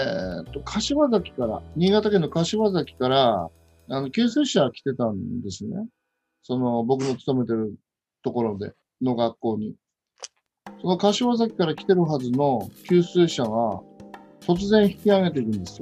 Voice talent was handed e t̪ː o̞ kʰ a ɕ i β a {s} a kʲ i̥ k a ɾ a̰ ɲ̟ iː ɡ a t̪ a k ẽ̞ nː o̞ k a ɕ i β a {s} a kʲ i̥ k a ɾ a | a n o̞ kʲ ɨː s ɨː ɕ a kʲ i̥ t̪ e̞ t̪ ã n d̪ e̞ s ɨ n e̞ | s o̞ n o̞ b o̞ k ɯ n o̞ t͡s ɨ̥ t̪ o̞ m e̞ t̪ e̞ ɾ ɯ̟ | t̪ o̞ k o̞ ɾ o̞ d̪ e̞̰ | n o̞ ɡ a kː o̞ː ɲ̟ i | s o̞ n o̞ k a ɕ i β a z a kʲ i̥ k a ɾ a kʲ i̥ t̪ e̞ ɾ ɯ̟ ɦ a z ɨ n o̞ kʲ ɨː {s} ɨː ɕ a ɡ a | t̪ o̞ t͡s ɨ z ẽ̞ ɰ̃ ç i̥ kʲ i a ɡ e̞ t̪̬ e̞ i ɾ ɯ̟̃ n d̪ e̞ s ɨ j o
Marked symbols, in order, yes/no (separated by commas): no, no, yes